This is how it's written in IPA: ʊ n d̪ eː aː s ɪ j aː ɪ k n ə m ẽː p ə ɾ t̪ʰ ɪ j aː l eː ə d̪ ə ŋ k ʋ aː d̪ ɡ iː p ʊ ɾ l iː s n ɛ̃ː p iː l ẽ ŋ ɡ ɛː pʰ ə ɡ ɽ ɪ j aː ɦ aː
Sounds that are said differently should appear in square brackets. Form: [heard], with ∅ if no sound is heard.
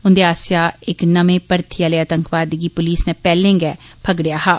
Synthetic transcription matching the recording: ʊ n d̪ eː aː s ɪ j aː ɪ k n ə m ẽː p ə ɾ t̪ʰ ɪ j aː l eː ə [t̪] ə ŋ k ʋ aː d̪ ɡ iː p ʊ [∅] l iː s n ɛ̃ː p [ɛː] l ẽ ŋ ɡ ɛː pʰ ə ɡ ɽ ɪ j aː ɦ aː